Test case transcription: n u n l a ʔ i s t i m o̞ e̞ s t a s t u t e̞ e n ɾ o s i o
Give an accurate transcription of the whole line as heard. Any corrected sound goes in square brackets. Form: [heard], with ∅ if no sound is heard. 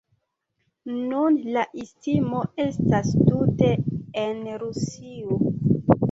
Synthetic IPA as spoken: n u n l a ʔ i s t i m o̞ e̞ s t a s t u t e̞ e n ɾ [u] s i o